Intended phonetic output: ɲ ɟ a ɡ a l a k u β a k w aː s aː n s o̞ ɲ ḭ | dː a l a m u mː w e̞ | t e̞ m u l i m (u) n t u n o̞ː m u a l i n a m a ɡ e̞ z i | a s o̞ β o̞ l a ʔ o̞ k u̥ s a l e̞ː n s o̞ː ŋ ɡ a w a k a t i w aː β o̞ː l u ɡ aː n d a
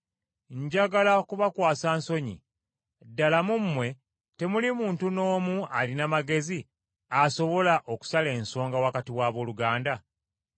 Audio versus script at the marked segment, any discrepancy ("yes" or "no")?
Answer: yes